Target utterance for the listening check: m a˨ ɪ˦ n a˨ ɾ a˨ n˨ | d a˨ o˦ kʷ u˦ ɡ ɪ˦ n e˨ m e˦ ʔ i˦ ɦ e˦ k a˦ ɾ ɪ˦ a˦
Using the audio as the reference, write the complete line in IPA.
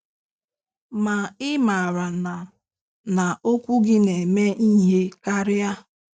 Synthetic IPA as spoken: m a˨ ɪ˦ m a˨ ɾ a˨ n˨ | n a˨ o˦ kʷ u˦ ɡ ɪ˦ n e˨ m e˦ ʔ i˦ ɦ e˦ k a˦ ɾ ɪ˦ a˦